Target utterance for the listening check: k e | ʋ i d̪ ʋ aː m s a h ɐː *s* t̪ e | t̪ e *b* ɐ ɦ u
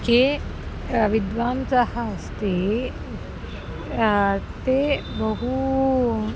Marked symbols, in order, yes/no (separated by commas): yes, yes